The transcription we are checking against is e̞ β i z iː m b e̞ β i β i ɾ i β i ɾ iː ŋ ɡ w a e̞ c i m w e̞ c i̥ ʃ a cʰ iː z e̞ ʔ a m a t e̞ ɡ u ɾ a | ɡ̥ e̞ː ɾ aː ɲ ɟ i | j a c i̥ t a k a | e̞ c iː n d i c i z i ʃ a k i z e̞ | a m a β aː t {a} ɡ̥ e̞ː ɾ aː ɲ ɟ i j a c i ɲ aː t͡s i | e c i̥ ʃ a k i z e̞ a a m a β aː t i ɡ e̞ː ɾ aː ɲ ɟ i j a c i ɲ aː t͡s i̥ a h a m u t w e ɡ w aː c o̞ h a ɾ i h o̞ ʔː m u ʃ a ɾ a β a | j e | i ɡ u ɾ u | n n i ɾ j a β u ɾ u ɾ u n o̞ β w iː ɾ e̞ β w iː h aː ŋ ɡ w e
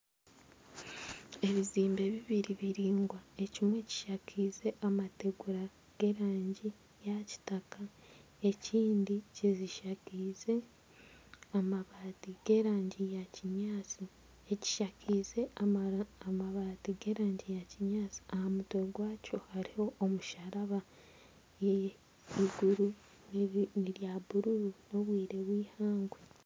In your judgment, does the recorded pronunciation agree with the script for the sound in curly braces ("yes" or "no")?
no